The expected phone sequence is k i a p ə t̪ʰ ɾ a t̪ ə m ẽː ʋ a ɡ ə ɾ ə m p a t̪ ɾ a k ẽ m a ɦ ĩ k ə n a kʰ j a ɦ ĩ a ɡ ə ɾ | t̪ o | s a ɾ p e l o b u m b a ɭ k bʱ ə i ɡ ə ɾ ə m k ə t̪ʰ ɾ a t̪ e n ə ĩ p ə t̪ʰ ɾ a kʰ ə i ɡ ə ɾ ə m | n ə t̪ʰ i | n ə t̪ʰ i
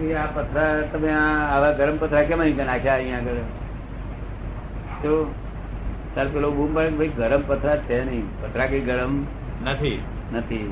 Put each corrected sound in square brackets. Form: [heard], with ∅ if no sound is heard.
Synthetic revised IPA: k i a p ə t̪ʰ ɾ a t̪ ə m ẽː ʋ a ɡ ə ɾ ə m p [ə] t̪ ɾ a k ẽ m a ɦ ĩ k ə n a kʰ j a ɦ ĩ a ɡ ə ɾ | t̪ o | s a ɾ p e l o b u m b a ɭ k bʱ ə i ɡ ə ɾ ə m [p] ə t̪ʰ ɾ a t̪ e n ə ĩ p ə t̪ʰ ɾ a [k] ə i ɡ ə ɾ ə m | n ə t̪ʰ i | n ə t̪ʰ i